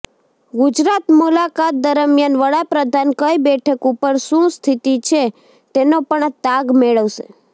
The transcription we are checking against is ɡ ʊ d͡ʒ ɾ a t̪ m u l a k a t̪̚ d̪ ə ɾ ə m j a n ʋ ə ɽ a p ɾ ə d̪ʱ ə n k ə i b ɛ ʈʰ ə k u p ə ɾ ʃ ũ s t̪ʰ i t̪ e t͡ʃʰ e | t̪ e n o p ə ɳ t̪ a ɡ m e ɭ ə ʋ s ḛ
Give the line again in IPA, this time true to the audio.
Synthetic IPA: ɡ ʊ d͡ʒ ɾ a t̪ m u l a k a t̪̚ d̪ ə ɾ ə m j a n ʋ ə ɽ a p ɾ ə d̪ʱ a n k ə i b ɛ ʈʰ ə k u p ə ɾ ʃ ũ s t̪ʰ i t̪ i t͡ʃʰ e | t̪ e n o p ə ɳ t̪ a ɡ m e ɭ ə ʋ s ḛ